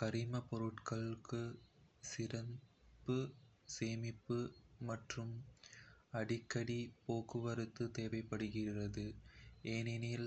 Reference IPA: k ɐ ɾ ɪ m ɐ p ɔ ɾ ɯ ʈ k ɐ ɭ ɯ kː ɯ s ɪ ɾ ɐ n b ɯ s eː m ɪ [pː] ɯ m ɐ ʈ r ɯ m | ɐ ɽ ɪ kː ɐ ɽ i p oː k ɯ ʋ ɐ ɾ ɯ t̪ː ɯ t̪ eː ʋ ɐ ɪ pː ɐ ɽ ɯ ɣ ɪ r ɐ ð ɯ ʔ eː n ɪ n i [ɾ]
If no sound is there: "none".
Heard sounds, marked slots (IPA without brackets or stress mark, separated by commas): pː, l